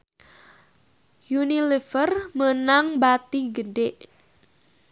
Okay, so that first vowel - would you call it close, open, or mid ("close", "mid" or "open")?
close